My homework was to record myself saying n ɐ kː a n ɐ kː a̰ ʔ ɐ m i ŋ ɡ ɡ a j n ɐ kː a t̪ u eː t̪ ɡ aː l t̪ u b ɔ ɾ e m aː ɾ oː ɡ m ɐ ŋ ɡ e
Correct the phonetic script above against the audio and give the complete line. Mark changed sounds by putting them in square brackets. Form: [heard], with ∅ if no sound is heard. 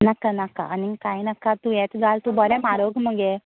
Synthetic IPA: n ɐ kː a n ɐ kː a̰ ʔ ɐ [n] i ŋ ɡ [k] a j n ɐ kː a t̪ u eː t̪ ɡ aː l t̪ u b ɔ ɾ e m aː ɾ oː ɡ m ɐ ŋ ɡ e